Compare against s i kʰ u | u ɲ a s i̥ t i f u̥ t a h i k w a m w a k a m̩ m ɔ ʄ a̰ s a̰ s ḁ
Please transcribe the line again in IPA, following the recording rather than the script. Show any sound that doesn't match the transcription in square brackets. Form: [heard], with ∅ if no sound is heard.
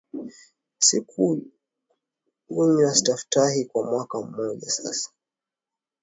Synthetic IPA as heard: s i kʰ u | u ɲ a s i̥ t [a] f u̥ t a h i k w a m w a k a m̩ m ɔ ʄ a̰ s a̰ s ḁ